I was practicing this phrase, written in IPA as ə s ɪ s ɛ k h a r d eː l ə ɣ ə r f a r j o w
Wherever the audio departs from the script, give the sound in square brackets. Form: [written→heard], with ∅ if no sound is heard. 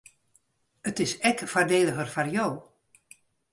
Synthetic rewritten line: ə [s→t] ɪ s ɛ k [h→f] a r d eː l ə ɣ ə r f a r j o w